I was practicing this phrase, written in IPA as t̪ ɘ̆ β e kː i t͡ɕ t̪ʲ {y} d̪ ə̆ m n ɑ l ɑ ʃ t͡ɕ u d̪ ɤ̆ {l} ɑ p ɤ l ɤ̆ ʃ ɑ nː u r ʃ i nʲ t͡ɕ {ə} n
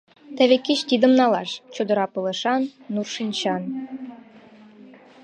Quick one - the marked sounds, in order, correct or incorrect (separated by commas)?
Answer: incorrect, incorrect, incorrect